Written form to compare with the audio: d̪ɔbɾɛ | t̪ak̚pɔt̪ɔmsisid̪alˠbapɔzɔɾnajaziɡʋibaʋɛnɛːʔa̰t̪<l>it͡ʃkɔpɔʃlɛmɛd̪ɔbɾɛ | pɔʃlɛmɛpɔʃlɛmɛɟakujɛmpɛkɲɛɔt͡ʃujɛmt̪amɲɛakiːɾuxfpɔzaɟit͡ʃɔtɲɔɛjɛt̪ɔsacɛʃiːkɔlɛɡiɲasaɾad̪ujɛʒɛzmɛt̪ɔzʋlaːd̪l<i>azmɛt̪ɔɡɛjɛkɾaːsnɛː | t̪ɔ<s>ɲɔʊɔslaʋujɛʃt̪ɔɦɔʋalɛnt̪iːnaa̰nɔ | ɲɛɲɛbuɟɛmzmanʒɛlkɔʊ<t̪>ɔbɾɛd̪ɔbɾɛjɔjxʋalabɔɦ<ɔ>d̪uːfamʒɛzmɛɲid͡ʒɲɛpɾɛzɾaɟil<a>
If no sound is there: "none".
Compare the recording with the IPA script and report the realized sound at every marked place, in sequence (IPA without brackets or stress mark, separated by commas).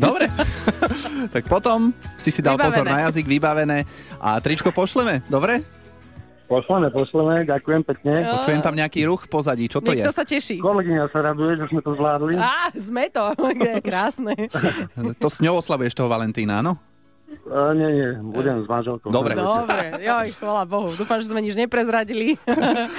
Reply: ɾ, i, s, d̪, u, i